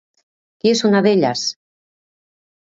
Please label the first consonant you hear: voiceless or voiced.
voiceless